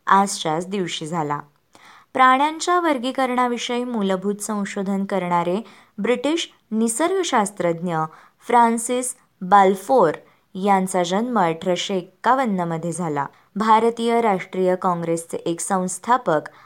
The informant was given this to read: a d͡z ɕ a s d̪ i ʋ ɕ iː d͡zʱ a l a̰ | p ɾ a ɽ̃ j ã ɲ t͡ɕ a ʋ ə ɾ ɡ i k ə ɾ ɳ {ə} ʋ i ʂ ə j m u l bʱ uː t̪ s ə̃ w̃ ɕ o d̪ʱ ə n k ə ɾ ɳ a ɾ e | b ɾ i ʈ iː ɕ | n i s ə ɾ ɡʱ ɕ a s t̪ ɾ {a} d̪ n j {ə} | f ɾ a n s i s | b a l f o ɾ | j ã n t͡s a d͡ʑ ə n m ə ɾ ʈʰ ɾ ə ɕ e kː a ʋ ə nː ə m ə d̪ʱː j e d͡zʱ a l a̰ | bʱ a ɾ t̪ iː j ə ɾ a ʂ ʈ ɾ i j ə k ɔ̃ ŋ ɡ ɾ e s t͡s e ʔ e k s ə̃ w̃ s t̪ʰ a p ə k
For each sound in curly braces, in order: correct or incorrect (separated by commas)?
incorrect, incorrect, correct